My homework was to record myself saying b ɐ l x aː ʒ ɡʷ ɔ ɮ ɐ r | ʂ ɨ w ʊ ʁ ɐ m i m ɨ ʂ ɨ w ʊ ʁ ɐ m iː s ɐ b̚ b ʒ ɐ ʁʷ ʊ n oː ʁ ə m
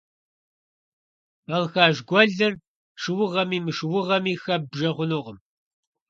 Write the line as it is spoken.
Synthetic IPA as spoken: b ɐ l x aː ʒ ɡʷ ɔ ɮ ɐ r | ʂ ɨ w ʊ ʁ ɐ m iː m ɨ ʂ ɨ w ʊ ʁ ɐ m iː x ɐ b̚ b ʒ ɐ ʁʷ ʊ n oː ʁ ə m